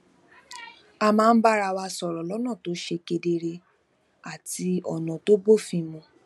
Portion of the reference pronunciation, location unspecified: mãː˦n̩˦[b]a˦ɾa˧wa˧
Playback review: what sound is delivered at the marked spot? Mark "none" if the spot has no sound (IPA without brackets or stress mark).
b